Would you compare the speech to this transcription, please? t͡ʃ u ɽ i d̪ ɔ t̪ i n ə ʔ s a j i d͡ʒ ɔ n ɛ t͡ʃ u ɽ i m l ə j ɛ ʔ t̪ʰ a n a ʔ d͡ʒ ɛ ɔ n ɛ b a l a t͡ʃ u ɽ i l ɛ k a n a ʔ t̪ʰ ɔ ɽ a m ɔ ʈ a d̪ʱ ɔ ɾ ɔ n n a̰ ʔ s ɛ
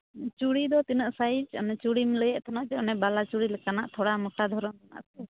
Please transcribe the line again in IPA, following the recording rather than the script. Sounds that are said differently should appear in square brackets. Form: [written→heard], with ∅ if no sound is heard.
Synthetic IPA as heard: t͡ʃ u ɽ i d̪ ɔ t̪ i n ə ʔ s a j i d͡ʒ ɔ n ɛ t͡ʃ u ɽ i m l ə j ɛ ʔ t̪ʰ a n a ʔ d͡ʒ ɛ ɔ n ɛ b a l a t͡ʃ u ɽ i l ɛ k a n a ʔ t̪ʰ ɔ ɽ a m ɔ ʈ a d̪ʱ ɔ ɾ ɔ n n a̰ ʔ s ɛ